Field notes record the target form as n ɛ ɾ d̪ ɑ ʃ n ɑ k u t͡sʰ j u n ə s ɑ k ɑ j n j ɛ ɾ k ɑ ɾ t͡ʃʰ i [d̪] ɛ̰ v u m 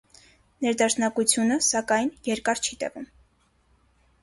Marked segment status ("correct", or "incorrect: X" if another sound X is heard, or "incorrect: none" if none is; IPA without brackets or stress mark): incorrect: t̪